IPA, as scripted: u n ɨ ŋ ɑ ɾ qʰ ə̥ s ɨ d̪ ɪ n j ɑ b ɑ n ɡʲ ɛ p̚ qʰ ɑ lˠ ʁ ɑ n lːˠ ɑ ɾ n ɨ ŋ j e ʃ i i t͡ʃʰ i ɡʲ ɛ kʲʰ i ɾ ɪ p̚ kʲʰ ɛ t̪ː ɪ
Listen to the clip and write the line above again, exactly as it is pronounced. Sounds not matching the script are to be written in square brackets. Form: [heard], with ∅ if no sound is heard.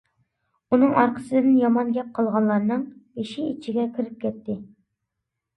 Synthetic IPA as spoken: u n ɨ ŋ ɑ ɾ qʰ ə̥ s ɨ d̪ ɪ n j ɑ [m] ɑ n ɡʲ ɛ p̚ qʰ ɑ lˠ ʁ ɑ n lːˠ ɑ ɾ n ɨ ŋ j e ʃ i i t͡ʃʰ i ɡʲ ɛ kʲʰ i ɾ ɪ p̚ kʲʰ ɛ t̪ː ɪ